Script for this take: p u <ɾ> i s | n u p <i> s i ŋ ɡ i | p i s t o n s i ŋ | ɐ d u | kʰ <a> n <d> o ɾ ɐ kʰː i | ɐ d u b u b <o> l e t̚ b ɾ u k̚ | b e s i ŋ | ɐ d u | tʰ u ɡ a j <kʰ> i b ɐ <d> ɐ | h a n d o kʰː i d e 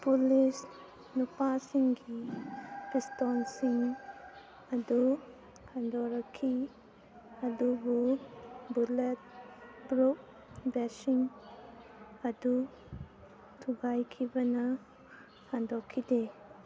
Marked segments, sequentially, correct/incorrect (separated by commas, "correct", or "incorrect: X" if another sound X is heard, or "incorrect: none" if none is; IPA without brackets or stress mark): incorrect: l, incorrect: a, correct, correct, incorrect: u, correct, incorrect: n